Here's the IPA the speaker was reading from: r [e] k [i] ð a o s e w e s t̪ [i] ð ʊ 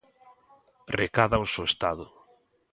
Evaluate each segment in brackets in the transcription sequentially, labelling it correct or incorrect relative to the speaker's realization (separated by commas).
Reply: correct, incorrect, incorrect